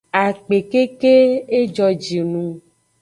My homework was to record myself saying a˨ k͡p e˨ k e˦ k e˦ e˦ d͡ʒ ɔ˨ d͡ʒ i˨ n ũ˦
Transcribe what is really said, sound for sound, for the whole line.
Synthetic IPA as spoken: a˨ k͡p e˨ k e˦ k e˦ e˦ d͡ʒ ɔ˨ d͡ʒ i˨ n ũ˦